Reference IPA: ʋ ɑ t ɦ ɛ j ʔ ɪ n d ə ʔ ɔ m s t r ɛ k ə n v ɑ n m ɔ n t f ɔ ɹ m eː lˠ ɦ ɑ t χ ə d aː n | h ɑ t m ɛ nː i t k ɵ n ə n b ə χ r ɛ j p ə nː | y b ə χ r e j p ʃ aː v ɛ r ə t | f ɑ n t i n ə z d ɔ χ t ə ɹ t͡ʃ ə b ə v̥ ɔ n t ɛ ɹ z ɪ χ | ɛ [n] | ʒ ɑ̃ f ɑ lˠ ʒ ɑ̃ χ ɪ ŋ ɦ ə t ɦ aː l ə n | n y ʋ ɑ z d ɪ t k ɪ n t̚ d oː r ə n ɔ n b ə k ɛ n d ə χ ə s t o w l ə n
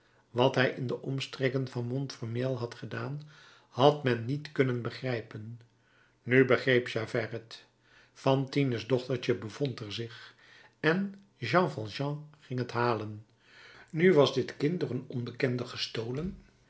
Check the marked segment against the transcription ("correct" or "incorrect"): correct